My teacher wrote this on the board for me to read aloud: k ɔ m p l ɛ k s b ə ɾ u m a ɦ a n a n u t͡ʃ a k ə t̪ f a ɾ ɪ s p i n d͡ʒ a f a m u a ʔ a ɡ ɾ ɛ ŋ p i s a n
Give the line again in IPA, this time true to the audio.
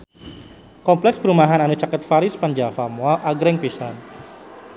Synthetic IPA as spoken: k ɔ m p l ɛ k s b ə ɾ u m a ɦ a n a n u t͡ʃ a k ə t̪ f a ɾ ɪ s p a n d͡ʒ a f a m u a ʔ a ɡ ɾ ɛ ŋ p i s a n